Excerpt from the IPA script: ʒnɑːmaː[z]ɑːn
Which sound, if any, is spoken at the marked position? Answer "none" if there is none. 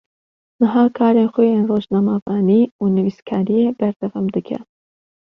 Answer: v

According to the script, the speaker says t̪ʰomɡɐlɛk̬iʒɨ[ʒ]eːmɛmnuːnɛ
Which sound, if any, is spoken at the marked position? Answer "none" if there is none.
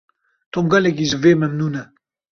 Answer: v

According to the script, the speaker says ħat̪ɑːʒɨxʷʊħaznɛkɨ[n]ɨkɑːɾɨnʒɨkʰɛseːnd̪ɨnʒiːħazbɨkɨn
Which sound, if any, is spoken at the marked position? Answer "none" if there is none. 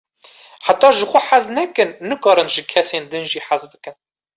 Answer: nː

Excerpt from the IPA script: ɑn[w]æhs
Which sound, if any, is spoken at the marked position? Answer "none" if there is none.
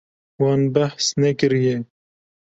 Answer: b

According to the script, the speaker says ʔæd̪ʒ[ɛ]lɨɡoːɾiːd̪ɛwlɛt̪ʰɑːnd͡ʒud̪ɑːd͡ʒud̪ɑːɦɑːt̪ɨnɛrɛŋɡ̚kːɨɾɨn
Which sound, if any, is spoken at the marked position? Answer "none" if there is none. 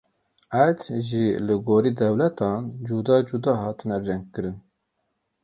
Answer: i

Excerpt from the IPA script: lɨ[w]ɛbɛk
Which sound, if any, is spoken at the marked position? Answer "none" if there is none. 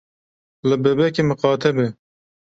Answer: b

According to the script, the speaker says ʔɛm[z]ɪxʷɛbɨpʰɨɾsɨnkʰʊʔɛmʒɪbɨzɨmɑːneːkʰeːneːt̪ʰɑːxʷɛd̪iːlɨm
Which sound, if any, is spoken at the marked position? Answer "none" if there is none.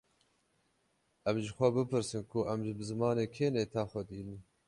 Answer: ʒ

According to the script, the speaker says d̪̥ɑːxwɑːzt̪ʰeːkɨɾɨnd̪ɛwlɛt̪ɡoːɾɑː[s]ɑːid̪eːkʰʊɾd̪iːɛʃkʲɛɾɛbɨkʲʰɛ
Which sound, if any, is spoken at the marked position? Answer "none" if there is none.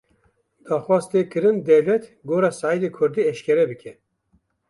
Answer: s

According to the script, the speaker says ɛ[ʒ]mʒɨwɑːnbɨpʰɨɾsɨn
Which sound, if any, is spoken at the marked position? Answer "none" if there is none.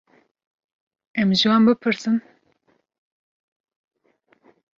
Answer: none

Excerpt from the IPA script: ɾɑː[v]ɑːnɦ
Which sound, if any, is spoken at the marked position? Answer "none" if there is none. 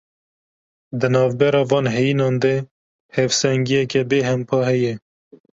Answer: v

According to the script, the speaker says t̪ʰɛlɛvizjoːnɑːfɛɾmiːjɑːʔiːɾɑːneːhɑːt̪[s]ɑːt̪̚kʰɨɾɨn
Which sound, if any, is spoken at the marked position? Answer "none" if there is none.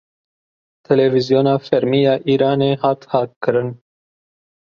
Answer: h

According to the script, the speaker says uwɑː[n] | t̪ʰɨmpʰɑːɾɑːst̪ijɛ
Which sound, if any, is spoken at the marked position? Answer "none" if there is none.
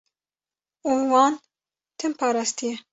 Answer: n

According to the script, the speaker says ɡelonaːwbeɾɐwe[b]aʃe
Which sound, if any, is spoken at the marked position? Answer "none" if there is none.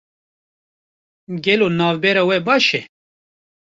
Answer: b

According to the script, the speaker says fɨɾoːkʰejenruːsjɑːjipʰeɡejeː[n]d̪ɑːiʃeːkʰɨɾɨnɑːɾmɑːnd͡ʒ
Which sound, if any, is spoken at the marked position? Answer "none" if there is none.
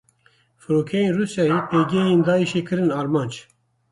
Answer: n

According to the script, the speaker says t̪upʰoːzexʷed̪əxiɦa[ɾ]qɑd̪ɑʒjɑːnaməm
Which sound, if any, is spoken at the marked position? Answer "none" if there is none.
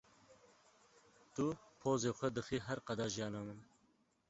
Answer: ɾ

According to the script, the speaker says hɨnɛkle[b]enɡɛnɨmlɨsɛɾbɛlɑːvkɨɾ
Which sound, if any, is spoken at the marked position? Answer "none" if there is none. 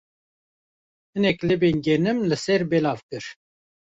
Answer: b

